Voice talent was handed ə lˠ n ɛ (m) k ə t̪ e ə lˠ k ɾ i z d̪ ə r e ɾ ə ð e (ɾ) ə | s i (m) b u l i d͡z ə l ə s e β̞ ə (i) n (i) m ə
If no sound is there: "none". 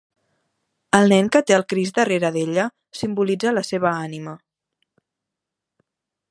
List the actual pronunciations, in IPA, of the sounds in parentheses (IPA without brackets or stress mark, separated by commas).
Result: ŋ, ʎ, m, a, i